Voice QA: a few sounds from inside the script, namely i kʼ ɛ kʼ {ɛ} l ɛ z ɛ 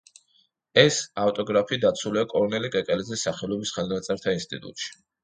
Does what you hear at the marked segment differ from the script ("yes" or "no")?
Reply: no